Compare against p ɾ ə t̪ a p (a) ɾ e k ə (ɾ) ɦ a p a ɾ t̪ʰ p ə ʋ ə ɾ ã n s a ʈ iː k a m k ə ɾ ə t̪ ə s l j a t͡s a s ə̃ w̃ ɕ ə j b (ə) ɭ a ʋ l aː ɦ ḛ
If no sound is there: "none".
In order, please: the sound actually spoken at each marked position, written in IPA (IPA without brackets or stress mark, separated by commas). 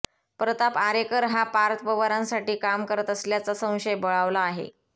a, ɾ, ə